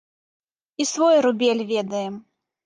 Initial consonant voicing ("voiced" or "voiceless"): voiceless